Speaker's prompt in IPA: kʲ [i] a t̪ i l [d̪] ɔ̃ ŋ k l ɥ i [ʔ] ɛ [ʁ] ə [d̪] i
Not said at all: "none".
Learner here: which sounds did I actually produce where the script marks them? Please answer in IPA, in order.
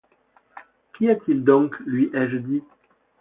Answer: i, d̪, ʔ, ʒ, d̪

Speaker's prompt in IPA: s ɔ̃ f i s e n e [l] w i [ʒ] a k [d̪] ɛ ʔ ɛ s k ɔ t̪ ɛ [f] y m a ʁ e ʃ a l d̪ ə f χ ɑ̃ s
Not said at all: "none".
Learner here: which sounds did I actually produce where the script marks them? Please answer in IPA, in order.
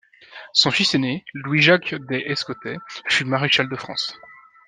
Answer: l, ʒ, d̪, f

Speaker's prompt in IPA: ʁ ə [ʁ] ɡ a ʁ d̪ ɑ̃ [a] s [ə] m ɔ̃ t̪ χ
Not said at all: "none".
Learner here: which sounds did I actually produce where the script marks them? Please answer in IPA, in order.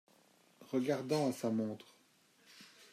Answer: none, a, a

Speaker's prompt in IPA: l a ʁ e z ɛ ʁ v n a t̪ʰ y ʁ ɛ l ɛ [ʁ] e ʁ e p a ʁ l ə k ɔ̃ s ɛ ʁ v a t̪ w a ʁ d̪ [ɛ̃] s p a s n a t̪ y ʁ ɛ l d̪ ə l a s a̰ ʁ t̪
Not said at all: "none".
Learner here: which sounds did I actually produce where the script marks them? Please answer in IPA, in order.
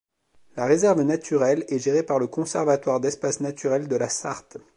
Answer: ʒ, ɛ

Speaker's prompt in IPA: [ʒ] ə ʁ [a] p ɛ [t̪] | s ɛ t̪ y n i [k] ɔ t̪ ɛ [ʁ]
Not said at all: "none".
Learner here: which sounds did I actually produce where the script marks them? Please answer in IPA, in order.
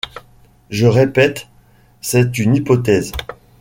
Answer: ʒ, e, t̪, p, z

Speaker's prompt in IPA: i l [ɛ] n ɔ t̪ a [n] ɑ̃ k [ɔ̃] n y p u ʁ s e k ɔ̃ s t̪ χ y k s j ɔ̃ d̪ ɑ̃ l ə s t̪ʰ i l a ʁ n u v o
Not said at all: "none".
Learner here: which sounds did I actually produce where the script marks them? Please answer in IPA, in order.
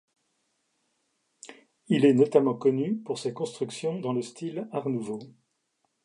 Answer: ɛ, m, ɔ

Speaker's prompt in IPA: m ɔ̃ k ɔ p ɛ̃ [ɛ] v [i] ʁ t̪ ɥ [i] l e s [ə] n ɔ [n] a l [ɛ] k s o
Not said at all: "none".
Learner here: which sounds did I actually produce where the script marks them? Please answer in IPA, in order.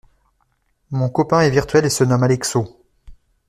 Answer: ɛ, i, ɛ, ə, m, ɛ

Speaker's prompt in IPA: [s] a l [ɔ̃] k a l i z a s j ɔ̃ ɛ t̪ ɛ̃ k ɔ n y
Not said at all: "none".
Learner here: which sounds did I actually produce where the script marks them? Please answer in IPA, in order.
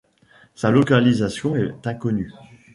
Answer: s, ɔ

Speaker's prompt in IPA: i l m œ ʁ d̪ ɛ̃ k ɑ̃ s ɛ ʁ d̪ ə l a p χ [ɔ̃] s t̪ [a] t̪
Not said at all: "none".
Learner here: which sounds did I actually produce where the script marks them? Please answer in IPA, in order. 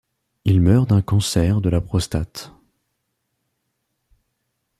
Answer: ɔ, a

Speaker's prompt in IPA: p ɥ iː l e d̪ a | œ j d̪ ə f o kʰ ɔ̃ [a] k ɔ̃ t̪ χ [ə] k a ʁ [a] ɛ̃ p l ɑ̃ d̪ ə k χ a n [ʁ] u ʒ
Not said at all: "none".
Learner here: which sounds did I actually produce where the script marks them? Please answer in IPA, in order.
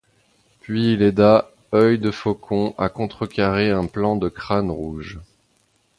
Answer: a, ə, e, ʁ

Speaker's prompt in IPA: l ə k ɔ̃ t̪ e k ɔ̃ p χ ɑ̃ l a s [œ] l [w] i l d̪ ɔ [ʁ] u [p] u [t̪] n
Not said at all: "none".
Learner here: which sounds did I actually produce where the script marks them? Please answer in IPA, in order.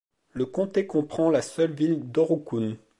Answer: œ, v, ʁ, k, none

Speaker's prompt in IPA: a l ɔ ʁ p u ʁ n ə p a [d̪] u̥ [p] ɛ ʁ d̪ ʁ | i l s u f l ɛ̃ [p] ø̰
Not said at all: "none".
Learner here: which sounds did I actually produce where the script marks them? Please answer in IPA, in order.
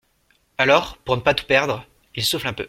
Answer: t̪, p, p

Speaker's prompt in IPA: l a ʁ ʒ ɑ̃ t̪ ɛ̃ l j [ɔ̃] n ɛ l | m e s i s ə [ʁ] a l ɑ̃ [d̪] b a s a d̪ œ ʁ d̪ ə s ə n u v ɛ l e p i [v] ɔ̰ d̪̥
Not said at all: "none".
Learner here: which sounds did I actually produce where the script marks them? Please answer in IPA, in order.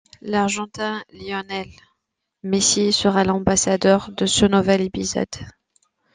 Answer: ɔ, ʁ, none, z

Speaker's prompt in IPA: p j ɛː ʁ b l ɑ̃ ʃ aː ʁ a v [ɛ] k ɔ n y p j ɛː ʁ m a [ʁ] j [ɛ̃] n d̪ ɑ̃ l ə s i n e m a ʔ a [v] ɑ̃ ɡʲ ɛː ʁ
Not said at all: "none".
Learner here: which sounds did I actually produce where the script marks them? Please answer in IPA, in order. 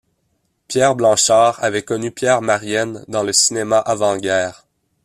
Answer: ɛ, ʁ, ɛ, v

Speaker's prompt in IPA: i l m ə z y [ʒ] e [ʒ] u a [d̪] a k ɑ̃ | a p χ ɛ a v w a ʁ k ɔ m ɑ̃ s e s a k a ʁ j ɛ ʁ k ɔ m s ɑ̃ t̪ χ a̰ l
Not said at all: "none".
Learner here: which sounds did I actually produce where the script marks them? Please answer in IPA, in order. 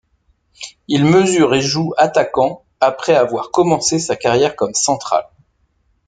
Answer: ʁ, ʒ, t̪

